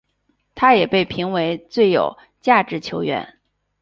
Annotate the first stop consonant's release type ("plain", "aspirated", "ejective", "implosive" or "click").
aspirated